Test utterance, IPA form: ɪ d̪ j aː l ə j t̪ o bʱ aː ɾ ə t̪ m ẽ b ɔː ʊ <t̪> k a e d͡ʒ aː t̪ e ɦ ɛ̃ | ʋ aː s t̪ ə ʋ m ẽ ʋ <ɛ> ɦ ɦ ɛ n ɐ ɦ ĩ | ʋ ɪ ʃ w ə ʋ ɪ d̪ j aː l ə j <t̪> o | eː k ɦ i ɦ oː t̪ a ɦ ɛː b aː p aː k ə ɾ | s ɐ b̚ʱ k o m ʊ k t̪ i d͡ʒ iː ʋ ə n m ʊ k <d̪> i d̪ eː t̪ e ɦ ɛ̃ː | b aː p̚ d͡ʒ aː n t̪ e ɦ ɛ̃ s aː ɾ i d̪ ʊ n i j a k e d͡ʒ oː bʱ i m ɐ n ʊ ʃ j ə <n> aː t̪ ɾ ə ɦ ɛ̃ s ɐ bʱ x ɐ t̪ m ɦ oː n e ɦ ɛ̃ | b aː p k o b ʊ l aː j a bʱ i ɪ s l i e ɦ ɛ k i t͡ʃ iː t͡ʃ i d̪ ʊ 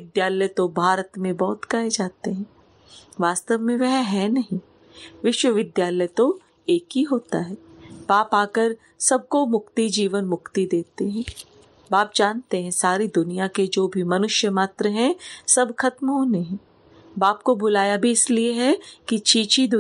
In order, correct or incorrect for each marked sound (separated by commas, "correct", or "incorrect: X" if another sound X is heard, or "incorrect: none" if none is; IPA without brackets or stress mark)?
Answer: correct, correct, correct, incorrect: t̪, incorrect: m